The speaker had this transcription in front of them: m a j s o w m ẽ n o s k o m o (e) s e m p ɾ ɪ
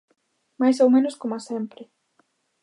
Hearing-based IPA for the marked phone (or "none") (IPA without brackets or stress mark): a